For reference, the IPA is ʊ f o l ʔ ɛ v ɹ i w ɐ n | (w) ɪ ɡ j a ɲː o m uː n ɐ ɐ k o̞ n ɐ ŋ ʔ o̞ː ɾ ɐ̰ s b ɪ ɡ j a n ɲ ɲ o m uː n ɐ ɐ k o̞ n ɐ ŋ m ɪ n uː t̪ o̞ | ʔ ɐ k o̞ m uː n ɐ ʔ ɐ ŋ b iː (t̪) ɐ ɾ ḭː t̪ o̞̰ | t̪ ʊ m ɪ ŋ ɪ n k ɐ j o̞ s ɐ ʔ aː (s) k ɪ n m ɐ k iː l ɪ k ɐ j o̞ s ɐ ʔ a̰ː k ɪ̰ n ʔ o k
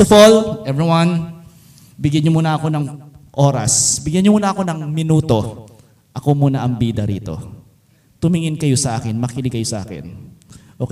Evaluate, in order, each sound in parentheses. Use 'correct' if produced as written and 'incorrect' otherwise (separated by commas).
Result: incorrect, incorrect, incorrect